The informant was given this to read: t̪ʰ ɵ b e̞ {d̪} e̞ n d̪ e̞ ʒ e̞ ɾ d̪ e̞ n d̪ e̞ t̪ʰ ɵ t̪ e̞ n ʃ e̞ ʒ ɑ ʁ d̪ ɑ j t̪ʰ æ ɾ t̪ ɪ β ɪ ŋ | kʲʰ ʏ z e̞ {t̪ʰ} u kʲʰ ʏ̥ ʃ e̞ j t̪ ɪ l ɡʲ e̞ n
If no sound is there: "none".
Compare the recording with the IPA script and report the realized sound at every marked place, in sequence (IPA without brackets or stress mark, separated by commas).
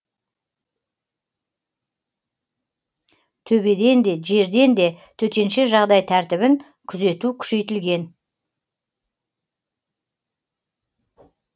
d̪, t̪